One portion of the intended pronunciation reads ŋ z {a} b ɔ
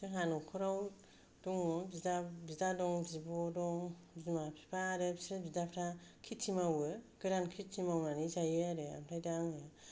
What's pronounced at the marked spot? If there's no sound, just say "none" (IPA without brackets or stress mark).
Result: i